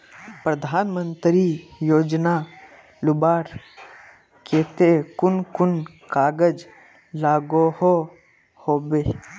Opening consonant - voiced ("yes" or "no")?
no